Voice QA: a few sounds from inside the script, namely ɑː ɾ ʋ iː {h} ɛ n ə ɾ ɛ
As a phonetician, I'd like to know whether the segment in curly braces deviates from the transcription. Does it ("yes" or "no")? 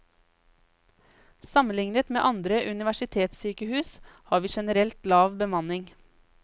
yes